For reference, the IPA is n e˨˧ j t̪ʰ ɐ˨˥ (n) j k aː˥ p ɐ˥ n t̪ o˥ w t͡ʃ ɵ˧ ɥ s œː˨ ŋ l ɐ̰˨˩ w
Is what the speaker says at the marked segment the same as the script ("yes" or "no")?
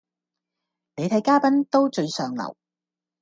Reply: no